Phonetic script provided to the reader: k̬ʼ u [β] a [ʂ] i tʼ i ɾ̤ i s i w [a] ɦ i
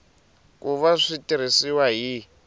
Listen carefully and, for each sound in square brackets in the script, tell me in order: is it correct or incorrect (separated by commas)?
correct, correct, correct